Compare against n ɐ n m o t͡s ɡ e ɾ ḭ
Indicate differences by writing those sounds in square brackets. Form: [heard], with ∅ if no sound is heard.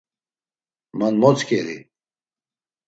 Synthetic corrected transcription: [m] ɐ n m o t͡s [k] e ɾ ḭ

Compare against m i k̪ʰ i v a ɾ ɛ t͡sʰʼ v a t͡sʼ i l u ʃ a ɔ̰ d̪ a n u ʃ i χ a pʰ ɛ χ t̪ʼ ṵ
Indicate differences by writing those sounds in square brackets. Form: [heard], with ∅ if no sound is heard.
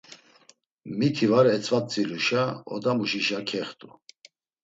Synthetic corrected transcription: m i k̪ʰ i v a ɾ ɛ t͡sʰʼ v a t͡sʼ i l u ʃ a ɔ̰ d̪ a [m] u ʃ i [ʃ] a [kʰ] ɛ χ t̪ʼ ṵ

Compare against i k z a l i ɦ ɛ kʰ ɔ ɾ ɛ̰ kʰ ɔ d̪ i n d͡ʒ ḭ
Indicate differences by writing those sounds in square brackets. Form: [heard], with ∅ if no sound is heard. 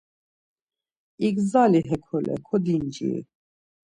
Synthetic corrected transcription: i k z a l i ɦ ɛ kʰ ɔ [l] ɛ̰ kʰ ɔ d̪ i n d͡ʒ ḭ

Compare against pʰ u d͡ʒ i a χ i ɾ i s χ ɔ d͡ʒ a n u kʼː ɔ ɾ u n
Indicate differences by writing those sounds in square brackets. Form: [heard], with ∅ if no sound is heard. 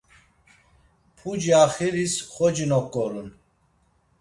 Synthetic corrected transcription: pʰ u d͡ʒ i a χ i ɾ i s χ ɔ d͡ʒ [i] n [ɔ] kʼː ɔ ɾ u n

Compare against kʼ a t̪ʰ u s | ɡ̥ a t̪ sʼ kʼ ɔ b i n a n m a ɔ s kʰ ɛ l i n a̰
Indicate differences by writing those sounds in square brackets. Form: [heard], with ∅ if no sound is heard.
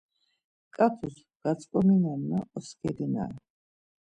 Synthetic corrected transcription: kʼ a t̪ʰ u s | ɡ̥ a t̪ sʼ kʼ ɔ [m] i n a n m a ɔ s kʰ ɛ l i n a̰

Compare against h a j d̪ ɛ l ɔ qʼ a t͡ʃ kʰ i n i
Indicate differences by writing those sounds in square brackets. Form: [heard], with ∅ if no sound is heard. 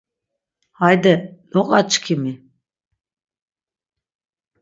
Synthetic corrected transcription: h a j d̪ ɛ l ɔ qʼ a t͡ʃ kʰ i [m] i

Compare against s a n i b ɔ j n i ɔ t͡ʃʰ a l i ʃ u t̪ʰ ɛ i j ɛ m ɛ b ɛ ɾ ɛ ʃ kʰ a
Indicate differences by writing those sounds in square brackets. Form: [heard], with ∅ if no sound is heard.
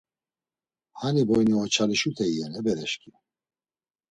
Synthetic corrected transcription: [h] a n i b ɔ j n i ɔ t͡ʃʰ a l i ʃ u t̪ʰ ɛ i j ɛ [n] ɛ b ɛ ɾ ɛ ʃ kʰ [i]

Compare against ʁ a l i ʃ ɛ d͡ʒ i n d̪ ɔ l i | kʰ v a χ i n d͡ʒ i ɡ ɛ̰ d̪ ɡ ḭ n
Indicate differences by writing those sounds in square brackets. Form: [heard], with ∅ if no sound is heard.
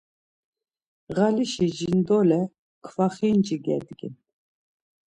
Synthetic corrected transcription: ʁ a l i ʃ [i] d͡ʒ i n d̪ ɔ l [ɛ] | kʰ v a χ i n d͡ʒ i ɡ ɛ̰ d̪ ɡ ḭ n

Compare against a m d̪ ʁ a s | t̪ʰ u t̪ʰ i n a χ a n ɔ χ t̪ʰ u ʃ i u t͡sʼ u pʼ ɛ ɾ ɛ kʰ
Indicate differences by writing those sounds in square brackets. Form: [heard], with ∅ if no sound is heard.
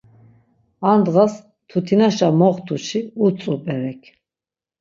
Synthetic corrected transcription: a [n] d̪ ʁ a s | t̪ʰ u t̪ʰ i n a [ʃ] a [m] ɔ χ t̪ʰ u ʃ i u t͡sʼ u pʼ ɛ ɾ ɛ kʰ

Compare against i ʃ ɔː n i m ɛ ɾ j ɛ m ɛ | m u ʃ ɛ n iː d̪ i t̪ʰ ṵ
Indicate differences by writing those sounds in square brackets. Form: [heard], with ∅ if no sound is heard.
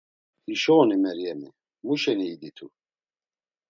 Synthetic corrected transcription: i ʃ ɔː n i m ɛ ɾ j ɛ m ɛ | m u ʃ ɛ n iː d̪ i t̪ʰ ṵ

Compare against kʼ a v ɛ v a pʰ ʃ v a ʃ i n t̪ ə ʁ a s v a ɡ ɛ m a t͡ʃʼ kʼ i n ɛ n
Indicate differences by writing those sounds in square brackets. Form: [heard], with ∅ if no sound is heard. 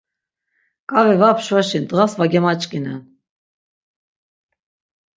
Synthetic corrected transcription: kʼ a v ɛ v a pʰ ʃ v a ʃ i n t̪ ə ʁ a s v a ɡ ɛ m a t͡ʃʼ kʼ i n ɛ n

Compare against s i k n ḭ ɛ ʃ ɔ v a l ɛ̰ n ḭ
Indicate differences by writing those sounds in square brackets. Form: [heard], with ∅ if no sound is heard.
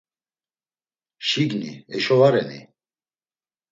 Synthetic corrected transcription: [ʃ] i [ɡ] n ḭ ɛ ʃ ɔ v a [ɾ] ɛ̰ n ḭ

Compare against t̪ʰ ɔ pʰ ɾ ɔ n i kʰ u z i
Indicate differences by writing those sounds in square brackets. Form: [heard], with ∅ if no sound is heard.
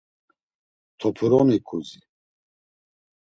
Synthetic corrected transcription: t̪ʰ ɔ pʰ ɾ ɔ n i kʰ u z i

